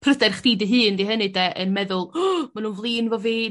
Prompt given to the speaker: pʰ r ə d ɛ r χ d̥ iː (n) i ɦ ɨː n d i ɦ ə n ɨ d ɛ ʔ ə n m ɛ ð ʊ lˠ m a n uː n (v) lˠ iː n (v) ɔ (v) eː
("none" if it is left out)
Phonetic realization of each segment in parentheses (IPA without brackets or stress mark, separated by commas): d, v, v, v